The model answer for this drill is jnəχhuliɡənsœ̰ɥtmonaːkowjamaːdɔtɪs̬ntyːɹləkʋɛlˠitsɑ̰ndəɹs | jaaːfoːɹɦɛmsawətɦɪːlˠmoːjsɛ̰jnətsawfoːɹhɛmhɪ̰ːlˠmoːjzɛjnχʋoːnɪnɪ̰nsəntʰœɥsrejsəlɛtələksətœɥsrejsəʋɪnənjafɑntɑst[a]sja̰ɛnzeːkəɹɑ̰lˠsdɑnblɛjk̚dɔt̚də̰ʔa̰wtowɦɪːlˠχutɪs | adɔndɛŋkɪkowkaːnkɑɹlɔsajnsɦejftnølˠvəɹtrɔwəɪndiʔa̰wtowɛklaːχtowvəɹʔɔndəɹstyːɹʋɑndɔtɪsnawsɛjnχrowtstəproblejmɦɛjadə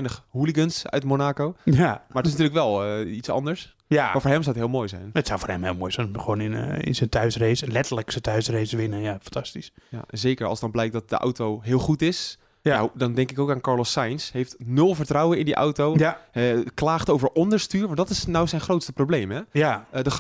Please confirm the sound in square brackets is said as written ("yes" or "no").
no